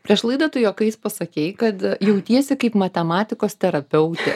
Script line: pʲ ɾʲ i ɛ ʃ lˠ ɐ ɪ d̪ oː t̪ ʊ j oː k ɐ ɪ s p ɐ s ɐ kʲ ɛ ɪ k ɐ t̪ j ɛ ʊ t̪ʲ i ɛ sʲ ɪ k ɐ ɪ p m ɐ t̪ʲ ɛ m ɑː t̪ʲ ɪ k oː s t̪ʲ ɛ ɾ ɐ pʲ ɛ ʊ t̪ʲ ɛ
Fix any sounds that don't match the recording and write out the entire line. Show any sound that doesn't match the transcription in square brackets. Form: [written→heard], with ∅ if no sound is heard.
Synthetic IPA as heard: pʲ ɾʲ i ɛ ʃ lˠ ɐ ɪ d̪ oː t̪ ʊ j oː k ɐ ɪ s p ɐ s ɐ kʲ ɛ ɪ k ɐ t̪ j ɛ ʊ t̪ʲ i ɛ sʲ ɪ k ɐ ɪ p m ɐ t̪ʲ ɛ m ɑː t̪ʲ ɪ k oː s t̪ʲ ɛ ɾ ɐ pʲ ɛ ʊ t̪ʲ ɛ